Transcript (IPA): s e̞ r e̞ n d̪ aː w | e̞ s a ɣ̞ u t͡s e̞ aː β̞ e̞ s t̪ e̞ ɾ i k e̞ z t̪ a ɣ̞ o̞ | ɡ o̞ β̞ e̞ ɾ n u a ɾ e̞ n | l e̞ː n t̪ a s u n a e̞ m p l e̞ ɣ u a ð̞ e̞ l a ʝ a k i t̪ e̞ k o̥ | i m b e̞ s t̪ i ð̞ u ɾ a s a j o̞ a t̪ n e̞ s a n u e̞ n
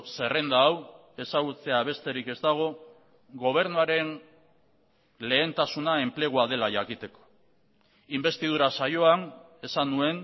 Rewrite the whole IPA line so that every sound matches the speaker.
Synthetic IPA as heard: s e̞ r e̞ n d̪ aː w | e̞ s a ɣ̞ u t͡s e̞ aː β̞ e̞ s t̪ e̞ ɾ i k e̞ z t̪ a ɣ̞ o̞ | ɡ o̞ β̞ e̞ ɾ n u a ɾ e̞ n | l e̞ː n t̪ a s u n a e̞ m p l e̞ ɣ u a ð̞ e̞ l a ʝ a k i t̪ e̞ k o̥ | i m b e̞ s t̪ i ð̞ u ɾ a s a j o̞ a n e̞ s a n u e̞ n